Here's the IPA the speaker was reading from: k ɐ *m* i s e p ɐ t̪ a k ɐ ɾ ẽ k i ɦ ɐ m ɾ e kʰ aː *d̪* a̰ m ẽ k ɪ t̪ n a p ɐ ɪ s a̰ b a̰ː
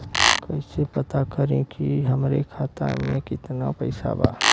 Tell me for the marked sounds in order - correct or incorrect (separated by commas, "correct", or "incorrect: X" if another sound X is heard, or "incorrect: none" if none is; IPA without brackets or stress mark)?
incorrect: none, incorrect: t̪